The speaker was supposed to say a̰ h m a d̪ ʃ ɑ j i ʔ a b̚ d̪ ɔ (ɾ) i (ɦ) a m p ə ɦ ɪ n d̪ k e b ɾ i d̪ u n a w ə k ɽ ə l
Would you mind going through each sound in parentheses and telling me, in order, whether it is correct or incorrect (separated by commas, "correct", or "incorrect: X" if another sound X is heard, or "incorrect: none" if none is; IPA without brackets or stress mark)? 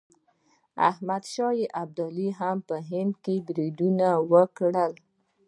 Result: incorrect: l, correct